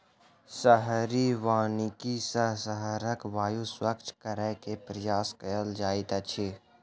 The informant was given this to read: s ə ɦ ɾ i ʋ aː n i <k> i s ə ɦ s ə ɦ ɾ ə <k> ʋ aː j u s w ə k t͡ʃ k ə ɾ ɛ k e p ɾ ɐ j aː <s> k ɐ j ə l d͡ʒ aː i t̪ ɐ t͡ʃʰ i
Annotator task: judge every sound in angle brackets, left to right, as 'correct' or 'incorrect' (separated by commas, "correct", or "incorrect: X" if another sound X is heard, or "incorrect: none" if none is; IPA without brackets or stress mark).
correct, correct, correct